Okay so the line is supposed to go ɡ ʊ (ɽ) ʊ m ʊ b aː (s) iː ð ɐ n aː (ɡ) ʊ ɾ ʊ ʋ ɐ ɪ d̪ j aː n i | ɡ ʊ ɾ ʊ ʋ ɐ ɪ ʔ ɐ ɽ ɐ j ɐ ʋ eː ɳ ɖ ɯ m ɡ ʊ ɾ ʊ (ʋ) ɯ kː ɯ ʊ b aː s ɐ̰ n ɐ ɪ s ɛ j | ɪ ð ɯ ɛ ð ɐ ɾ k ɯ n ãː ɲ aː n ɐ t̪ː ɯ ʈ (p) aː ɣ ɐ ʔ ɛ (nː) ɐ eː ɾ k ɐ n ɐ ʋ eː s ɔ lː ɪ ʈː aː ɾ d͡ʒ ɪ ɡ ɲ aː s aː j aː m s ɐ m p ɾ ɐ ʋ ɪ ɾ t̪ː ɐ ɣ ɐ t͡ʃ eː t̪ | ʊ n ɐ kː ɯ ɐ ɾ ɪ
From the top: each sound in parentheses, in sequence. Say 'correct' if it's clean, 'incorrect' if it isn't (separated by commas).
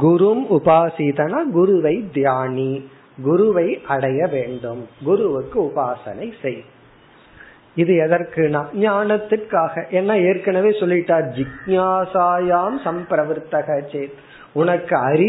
incorrect, correct, correct, correct, incorrect, correct